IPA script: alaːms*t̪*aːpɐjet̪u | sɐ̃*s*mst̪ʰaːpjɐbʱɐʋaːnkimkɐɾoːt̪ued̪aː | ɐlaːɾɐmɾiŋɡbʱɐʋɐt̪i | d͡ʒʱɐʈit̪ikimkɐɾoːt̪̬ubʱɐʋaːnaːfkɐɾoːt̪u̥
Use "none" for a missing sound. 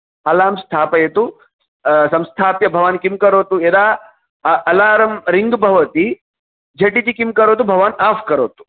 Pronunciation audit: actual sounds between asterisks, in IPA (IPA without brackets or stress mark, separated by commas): t̪ʰ, none